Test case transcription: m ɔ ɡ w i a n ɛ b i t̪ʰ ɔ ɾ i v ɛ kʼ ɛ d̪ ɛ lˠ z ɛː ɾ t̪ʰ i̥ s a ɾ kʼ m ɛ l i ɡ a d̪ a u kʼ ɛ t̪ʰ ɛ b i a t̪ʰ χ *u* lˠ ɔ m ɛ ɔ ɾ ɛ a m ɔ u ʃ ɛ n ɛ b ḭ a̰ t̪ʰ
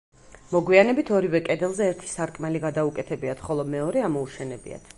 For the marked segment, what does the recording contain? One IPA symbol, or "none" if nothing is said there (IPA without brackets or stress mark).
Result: ɔ